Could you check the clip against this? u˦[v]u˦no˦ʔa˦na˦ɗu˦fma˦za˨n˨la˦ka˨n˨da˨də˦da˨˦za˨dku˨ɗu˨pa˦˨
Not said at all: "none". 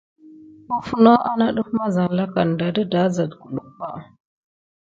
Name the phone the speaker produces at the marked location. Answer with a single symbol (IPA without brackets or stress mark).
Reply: f